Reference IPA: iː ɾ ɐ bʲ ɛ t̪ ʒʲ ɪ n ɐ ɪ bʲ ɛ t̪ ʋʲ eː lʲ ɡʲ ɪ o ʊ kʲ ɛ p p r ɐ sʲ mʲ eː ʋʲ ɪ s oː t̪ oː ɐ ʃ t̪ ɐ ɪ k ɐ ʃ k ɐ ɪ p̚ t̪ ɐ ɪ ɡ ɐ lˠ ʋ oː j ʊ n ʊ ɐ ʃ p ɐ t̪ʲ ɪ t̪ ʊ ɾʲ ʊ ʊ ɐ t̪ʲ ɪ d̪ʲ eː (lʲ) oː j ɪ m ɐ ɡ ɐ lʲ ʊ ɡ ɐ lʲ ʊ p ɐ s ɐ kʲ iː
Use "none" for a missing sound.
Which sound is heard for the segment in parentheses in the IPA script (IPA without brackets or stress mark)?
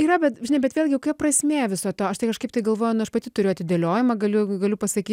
lʲ